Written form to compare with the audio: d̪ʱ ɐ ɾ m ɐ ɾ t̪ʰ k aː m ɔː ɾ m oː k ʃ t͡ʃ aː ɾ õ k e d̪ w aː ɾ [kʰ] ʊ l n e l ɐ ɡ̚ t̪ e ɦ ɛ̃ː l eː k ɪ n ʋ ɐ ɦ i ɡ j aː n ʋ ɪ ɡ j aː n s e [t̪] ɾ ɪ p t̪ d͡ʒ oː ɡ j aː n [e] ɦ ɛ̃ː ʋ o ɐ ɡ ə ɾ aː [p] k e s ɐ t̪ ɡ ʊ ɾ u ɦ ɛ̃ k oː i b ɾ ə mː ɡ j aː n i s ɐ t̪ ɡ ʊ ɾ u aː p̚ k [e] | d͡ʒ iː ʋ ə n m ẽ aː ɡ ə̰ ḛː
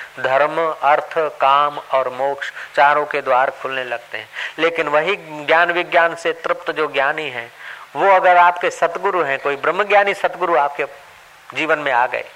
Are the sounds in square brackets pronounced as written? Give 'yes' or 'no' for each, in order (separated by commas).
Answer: yes, yes, no, yes, yes